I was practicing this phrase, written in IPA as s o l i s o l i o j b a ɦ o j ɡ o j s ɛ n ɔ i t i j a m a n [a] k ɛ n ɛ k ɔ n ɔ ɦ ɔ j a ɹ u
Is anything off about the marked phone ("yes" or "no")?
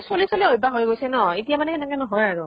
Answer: yes